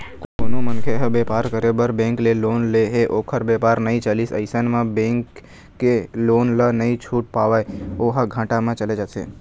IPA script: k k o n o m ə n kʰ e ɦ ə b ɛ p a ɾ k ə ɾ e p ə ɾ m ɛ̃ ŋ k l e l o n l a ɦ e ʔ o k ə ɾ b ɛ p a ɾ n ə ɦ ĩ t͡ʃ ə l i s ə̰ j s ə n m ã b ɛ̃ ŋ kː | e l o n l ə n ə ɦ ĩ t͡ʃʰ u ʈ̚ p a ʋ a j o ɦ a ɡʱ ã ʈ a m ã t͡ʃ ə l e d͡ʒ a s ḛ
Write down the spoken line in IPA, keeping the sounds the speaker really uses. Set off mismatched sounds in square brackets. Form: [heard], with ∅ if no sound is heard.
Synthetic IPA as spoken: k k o n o m ə n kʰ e ɦ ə b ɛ p a ɾ k ə ɾ e [b] ə ɾ [b] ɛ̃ ŋ k l e l o n l [e] ɦ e ʔ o [kʰ] ə ɾ b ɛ p a ɾ n ə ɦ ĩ t͡ʃ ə l i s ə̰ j s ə n m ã b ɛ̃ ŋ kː | e l o n l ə n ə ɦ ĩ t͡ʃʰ u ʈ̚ p a ʋ a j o ɦ a ɡʱ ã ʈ a m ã t͡ʃ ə l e d͡ʒ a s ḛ